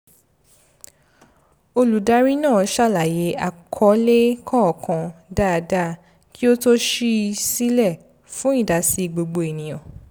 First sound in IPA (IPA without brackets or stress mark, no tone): o